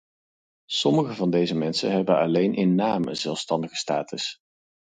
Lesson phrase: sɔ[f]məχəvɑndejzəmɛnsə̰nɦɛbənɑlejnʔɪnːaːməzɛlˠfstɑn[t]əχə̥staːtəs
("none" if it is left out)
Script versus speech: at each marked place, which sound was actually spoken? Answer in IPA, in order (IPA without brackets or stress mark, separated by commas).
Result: none, d